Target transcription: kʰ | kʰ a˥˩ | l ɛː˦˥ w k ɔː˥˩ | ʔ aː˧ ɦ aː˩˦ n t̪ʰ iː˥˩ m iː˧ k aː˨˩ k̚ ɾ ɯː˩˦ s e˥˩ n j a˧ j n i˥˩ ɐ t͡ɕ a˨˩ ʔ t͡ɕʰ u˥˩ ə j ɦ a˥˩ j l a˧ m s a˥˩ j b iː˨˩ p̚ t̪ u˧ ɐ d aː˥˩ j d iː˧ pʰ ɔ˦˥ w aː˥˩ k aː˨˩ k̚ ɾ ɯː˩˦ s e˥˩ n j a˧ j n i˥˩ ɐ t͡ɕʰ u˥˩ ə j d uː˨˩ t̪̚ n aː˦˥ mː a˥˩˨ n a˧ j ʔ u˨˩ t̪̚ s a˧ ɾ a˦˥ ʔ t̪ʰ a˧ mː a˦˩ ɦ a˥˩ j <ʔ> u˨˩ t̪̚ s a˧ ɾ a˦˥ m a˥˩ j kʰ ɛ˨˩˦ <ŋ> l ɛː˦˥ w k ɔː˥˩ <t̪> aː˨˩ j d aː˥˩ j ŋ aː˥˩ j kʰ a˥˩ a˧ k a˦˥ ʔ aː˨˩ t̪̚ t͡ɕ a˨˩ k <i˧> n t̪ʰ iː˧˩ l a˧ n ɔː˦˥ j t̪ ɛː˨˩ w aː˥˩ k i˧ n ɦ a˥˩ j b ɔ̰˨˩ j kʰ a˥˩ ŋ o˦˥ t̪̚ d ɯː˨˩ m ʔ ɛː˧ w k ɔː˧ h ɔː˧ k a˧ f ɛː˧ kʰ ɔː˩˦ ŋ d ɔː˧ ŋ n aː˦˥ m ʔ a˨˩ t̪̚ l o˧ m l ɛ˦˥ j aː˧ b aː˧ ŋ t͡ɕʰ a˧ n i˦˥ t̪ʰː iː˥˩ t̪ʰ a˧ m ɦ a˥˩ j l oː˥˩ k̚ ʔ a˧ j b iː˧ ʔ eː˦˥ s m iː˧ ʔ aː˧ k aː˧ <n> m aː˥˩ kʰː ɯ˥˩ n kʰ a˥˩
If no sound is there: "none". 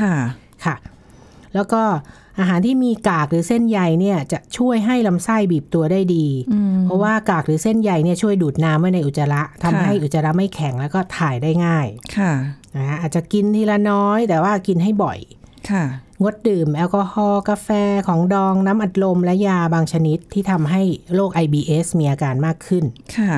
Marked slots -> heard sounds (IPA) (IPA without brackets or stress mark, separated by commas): ʔ, ŋ, t̪ʰ, i˧, n